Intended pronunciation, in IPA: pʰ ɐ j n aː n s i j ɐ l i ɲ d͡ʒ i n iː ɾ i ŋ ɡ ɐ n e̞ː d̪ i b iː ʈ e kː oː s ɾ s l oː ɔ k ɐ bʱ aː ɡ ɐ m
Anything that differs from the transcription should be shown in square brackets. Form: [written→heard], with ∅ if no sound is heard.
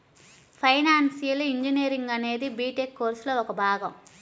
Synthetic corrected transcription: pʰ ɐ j n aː n s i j ɐ l i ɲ d͡ʒ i n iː ɾ i ŋ ɡ ɐ n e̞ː d̪ i b iː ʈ e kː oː [s→∅] ɾ s l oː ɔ k ɐ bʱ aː ɡ ɐ m